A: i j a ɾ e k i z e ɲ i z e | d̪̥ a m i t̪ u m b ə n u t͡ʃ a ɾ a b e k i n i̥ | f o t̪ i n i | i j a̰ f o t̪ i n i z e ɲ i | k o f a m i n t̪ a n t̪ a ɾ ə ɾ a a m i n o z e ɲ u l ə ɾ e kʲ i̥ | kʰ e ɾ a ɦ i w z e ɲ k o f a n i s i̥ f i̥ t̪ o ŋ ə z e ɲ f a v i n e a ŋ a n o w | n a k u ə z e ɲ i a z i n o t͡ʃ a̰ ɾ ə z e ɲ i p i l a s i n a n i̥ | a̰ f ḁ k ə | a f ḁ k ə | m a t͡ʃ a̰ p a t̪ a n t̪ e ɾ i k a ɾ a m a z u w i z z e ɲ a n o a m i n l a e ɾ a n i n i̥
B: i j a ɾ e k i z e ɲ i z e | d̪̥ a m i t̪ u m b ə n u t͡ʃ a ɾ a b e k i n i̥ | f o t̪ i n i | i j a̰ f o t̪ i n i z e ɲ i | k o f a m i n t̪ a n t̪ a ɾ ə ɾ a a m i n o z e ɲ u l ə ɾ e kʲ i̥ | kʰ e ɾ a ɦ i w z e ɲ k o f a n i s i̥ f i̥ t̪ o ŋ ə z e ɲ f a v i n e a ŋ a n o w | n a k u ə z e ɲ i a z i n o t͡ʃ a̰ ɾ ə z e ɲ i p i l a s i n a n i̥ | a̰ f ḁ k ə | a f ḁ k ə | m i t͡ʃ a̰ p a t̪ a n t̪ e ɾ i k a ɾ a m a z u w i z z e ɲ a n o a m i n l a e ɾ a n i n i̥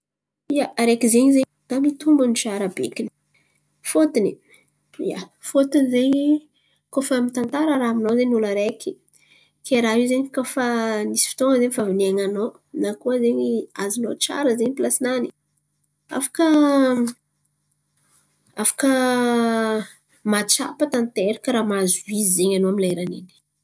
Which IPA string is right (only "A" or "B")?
A